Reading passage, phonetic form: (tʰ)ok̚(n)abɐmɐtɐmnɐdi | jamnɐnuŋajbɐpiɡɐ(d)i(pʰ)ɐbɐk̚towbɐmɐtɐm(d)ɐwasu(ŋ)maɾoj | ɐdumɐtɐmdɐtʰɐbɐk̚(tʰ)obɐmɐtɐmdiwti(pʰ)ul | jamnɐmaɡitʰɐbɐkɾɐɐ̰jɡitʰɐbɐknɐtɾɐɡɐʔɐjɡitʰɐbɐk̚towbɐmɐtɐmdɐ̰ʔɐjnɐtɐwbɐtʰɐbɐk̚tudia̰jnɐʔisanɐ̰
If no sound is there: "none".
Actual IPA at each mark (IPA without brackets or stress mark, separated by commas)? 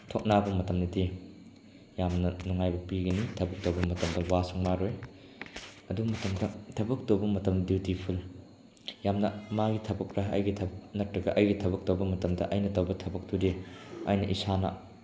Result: tʰ, n, n, tʰ, d, ŋ, t, pʰ